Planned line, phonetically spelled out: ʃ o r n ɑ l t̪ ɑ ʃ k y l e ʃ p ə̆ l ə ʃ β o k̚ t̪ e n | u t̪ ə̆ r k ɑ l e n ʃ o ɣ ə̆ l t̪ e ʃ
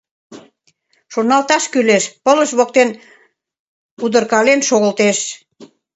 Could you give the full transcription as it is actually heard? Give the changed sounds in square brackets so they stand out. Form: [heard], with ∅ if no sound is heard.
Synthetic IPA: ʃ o r n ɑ l t̪ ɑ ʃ k y l e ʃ p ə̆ l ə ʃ β o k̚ t̪ e n | u [d̪] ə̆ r k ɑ l e n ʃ o ɣ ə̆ l t̪ e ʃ